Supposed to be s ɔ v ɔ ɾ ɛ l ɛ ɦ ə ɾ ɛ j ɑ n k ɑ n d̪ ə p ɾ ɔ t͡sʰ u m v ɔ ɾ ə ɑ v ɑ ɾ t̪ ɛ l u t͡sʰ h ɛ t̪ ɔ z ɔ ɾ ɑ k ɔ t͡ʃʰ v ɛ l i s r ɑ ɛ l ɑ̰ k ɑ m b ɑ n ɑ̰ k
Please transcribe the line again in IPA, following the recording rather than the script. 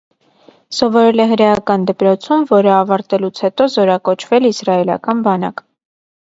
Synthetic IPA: s ɔ v ɔ ɾ ɛ l ɛ ɦ ə ɾ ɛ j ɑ k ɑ n d̪ ə p ɾ ɔ t͡sʰ u m v ɔ ɾ ə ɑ v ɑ ɾ t̪ ɛ l u t͡sʰ h ɛ t̪ ɔ z ɔ ɾ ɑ k ɔ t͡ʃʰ v ɛ l i s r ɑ ɛ l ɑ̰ k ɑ n b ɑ n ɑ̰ k